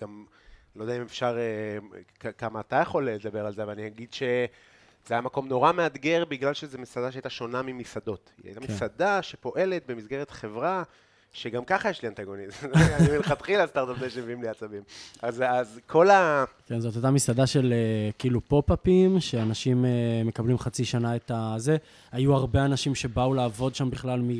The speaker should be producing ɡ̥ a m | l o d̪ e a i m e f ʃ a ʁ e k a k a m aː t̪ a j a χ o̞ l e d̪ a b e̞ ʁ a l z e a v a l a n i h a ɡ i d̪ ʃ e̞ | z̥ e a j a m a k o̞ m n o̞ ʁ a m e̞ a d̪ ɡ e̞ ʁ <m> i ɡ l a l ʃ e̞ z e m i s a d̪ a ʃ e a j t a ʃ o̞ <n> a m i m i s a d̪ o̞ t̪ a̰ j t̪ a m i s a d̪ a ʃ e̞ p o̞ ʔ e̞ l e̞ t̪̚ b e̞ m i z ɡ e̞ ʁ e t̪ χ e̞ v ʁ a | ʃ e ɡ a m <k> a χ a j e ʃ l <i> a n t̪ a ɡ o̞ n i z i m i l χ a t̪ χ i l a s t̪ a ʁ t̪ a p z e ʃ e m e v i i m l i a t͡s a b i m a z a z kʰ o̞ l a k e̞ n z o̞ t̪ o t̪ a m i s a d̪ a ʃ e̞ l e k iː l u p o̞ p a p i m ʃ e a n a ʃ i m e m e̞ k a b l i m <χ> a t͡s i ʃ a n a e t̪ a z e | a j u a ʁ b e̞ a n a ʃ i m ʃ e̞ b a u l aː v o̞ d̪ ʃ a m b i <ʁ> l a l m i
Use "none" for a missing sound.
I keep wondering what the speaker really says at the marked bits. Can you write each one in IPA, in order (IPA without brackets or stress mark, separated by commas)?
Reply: b, n, k, i, χ, χ